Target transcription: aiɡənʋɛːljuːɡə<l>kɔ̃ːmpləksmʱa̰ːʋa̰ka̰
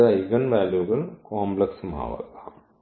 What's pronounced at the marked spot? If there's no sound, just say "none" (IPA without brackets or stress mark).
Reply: l